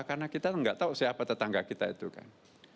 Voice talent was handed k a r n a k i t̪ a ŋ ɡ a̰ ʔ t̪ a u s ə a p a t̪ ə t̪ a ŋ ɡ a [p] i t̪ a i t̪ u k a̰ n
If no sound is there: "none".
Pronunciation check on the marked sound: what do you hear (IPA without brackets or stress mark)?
k